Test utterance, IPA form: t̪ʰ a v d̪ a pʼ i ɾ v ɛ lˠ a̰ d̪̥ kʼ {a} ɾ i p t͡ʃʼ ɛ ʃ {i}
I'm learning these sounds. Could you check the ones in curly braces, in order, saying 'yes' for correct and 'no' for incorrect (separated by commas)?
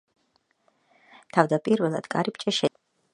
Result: yes, no